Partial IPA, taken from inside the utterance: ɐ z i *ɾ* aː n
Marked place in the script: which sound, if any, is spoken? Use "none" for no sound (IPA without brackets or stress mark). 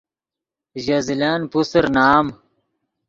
l